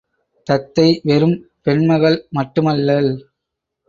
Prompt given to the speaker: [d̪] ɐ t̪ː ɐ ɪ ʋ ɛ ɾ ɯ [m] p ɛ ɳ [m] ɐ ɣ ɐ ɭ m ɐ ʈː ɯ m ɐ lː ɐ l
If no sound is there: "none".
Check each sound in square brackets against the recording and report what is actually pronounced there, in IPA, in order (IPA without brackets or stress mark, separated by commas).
t̪, m, m